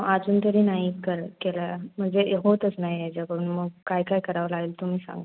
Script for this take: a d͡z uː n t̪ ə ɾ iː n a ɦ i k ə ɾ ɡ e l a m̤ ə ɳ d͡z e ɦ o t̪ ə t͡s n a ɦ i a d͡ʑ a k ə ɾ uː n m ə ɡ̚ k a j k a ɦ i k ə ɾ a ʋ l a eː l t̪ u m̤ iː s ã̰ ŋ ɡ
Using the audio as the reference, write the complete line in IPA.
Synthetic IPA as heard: a d͡z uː n t̪ ə ɾ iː n a ɦ i k ə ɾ k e l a m̤ ə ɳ d͡z e ɦ o t̪ ə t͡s n a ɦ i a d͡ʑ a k ə ɾ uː n m ə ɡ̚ k a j k a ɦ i k ə ɾ a ʋ l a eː l t̪ u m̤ iː s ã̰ ŋ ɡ